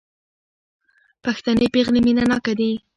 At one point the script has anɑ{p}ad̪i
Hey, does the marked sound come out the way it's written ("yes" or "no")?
no